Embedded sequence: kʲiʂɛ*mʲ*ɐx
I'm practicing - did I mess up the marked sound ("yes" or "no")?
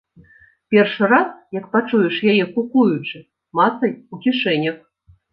yes